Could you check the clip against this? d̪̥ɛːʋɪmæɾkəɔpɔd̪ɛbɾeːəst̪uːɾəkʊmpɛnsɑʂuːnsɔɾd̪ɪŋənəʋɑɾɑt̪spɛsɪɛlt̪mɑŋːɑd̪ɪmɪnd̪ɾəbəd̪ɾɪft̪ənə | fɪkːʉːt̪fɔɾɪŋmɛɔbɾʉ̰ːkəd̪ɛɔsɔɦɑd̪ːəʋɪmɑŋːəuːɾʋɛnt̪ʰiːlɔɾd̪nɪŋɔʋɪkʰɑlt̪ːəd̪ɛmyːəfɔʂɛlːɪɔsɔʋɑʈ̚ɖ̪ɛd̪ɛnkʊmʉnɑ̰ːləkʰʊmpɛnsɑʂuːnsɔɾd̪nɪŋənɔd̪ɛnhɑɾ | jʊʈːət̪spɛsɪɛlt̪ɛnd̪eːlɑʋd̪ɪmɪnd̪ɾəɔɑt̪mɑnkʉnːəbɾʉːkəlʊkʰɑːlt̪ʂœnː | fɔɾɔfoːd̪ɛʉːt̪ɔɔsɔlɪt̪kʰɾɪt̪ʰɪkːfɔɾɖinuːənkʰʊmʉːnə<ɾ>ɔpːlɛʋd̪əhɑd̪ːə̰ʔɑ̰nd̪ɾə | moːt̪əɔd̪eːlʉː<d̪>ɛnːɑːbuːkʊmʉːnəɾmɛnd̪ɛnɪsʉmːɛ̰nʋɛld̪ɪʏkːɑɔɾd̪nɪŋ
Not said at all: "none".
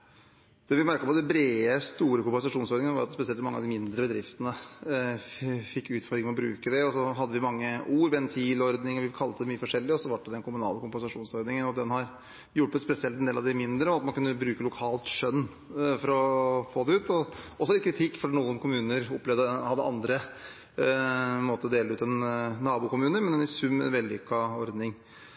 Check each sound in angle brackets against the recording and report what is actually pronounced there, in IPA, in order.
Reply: ɾ, t̪

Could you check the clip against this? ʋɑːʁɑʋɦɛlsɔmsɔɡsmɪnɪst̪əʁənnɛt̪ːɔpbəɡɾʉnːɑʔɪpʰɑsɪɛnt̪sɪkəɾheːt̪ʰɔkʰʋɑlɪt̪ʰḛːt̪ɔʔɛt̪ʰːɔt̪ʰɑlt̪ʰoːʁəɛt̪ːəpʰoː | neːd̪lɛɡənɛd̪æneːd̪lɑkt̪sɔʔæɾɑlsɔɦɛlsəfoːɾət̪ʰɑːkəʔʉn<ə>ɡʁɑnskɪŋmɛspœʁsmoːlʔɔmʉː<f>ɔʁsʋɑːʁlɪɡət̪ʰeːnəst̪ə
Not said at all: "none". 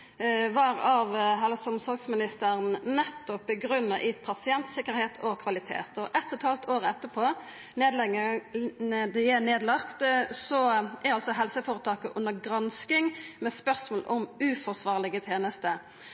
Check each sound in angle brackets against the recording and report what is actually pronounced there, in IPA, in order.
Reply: ə, f

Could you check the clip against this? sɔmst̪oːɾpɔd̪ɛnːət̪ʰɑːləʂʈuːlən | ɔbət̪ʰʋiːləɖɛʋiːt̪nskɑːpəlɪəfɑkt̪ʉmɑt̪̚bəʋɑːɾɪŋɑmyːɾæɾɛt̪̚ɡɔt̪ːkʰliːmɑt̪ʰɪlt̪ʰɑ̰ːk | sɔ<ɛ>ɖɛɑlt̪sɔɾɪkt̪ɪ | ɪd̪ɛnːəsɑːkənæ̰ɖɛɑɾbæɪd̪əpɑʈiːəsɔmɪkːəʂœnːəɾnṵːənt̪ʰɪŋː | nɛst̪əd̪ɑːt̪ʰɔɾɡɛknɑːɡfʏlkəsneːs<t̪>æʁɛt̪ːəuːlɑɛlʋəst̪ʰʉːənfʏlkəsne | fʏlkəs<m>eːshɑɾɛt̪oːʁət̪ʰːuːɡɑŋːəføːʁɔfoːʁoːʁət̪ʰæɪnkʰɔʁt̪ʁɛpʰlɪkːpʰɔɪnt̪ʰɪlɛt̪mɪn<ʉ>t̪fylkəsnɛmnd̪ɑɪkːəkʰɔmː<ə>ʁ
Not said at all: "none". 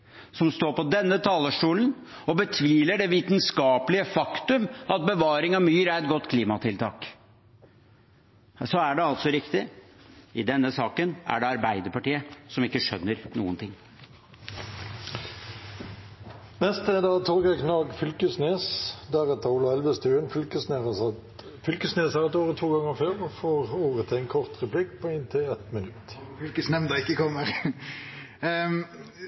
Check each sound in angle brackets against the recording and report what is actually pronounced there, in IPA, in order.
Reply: æ, d̪, n, ʉ, ə

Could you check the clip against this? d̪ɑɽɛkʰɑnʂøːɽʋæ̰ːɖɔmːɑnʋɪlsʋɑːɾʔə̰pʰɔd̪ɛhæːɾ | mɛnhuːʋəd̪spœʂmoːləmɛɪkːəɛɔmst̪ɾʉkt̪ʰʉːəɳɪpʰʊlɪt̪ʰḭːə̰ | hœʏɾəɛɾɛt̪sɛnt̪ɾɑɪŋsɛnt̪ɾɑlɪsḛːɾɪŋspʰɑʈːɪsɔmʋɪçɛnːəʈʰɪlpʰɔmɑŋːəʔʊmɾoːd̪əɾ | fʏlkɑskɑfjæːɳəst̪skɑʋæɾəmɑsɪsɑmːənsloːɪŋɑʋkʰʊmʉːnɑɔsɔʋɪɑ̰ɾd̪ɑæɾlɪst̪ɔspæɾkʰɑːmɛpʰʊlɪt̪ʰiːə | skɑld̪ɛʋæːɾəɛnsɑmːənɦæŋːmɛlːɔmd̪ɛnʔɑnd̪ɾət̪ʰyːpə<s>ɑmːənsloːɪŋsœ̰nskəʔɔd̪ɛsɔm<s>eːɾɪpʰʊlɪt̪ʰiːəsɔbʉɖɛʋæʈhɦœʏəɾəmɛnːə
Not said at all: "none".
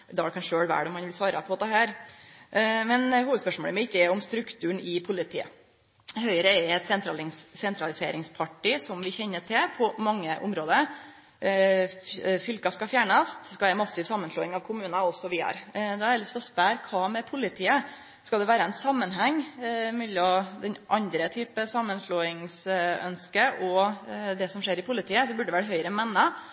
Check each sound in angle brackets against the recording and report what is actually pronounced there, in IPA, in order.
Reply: s, ʂ

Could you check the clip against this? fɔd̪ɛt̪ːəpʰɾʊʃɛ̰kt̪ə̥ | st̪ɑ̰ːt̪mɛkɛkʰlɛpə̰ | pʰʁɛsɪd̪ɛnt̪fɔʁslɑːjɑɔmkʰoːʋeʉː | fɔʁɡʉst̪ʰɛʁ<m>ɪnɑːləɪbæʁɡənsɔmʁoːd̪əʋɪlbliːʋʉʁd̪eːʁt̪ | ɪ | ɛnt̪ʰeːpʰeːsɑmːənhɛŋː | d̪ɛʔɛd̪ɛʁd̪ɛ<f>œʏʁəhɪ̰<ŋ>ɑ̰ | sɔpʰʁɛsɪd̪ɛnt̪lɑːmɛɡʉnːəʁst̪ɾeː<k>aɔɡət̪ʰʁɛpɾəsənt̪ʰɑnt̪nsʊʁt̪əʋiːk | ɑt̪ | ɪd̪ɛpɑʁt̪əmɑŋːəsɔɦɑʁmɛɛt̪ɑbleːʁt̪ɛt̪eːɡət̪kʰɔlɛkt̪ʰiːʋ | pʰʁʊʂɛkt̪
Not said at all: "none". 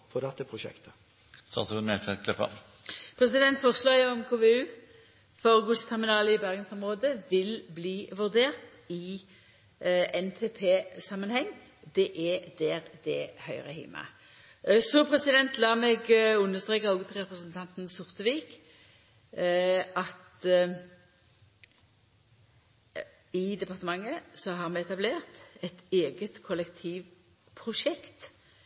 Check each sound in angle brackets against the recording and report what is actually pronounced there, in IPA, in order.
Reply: m, h, m, k

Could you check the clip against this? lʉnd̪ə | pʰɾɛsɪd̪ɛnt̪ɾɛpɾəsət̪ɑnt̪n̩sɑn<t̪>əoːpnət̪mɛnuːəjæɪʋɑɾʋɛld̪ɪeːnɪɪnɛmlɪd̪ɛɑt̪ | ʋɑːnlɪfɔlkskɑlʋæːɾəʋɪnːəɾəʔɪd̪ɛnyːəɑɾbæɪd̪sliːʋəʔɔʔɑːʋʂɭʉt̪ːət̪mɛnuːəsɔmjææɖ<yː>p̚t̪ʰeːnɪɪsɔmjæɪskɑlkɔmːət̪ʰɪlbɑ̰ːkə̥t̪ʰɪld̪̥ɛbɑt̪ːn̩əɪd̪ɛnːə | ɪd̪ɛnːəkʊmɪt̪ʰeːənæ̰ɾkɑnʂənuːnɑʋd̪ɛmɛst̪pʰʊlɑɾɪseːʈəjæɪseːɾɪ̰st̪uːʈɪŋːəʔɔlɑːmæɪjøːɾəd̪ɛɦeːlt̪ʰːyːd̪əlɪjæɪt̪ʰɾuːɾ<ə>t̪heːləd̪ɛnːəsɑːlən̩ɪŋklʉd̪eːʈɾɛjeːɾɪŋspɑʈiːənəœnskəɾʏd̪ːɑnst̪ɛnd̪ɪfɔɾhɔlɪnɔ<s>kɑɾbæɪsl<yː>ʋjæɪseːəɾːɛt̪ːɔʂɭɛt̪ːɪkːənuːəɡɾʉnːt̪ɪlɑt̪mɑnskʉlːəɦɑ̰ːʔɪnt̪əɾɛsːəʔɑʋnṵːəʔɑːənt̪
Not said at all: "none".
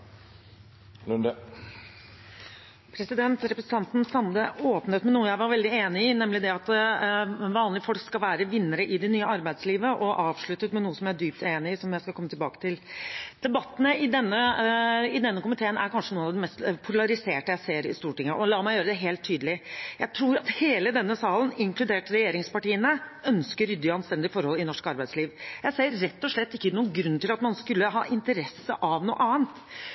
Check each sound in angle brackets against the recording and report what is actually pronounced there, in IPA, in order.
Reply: d̪, yː, ɑ, ʂ, iː

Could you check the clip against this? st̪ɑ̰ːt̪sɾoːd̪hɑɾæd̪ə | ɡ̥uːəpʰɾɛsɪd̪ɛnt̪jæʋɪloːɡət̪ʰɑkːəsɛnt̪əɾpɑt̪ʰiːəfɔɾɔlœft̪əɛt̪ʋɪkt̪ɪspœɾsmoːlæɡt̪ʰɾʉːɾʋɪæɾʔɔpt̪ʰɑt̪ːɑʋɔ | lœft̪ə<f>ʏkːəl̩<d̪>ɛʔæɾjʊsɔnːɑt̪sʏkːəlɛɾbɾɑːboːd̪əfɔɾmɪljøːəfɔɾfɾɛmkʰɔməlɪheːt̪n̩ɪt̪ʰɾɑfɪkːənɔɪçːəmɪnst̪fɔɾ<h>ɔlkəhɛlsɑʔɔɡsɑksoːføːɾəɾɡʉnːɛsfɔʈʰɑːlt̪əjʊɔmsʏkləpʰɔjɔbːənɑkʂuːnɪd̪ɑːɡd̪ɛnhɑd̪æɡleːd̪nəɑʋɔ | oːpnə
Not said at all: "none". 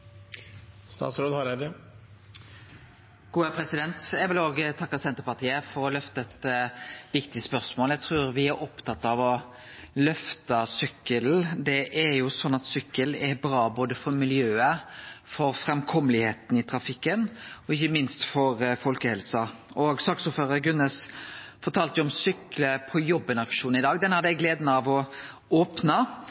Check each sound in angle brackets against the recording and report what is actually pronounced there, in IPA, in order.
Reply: s, d̪, f

